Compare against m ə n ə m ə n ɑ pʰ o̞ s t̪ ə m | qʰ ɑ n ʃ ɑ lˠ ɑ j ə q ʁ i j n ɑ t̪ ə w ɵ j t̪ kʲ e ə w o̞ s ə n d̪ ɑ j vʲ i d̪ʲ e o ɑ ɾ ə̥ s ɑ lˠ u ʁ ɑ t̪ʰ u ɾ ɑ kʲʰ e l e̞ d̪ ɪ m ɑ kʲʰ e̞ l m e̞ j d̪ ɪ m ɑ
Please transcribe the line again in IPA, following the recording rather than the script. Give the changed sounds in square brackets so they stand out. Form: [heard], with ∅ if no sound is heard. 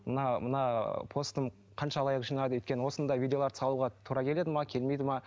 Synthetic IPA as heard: m ə n [ɑ] m ə n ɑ pʰ o̞ s t̪ ə m | qʰ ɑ n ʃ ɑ lˠ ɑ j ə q [ʒ] i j n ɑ [d̪] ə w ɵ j t̪ kʲ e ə w o̞ s ə n d̪ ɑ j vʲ i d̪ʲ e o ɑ ɾ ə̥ s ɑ lˠ u ʁ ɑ t̪ʰ u ɾ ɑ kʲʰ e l e̞ d̪ ɪ m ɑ kʲʰ e̞ l m e̞ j d̪ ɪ m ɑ